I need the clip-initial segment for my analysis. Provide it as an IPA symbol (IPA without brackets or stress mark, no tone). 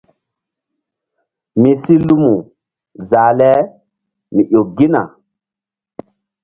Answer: m